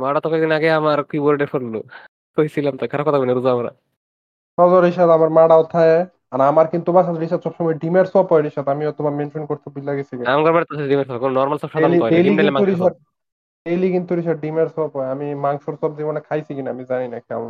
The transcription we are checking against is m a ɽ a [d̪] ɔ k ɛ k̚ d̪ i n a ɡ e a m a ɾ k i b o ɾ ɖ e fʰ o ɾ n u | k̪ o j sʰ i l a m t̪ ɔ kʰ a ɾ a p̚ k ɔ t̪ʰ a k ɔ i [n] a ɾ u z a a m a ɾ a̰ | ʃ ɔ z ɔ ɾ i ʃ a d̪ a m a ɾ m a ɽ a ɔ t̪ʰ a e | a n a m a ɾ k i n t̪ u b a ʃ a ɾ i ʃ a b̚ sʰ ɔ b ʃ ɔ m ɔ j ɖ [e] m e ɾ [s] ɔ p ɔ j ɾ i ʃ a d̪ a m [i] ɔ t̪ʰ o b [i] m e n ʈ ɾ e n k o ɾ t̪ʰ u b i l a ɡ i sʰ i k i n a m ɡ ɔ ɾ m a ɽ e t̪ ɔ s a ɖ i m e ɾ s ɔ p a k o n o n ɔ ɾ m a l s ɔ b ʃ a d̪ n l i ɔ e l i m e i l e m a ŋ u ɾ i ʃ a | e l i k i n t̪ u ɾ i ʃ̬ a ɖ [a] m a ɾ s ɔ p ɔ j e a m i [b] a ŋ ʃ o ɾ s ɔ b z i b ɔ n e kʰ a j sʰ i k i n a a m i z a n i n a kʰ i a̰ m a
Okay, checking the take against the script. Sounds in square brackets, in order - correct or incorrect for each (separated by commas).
incorrect, correct, incorrect, correct, correct, incorrect, incorrect, incorrect